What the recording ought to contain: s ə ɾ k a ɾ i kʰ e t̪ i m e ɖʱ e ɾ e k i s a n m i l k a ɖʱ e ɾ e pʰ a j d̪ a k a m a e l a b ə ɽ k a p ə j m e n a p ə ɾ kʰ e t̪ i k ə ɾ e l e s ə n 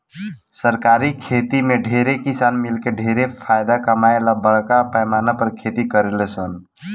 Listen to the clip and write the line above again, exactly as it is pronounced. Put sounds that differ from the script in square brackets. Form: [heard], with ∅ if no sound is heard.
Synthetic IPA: s ə ɾ k a ɾ i kʰ e t̪ i m e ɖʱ e ɾ e k i s a n m i l k [e] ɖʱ e ɾ e pʰ a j d̪ a k [ə] m a e l a b ə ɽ k a p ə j m [a] n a p ə ɾ kʰ e t̪ i k ə ɾ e l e s ə n